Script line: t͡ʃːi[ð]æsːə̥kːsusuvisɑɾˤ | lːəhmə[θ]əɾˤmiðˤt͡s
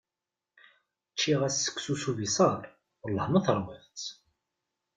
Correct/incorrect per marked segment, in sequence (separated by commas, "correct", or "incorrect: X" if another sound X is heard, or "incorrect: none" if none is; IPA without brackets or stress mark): incorrect: ʁ, correct